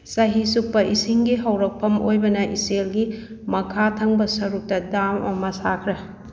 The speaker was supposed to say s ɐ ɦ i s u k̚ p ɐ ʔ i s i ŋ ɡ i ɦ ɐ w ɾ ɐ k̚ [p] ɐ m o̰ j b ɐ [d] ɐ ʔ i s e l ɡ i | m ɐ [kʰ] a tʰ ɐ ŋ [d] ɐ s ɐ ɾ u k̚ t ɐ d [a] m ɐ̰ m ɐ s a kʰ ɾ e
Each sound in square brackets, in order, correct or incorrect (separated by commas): incorrect, incorrect, correct, incorrect, correct